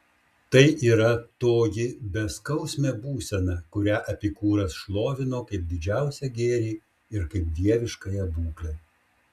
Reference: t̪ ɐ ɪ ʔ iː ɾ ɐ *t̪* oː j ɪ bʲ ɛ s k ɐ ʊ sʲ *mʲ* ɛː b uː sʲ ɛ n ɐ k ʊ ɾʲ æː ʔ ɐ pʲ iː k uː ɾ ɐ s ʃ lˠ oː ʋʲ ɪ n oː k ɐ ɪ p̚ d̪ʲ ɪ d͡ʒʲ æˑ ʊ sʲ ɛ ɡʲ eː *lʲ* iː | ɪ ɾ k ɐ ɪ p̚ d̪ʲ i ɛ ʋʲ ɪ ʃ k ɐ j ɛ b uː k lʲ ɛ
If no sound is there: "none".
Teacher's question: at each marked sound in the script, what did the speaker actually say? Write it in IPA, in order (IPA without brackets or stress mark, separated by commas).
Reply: t̪, mʲ, ɾʲ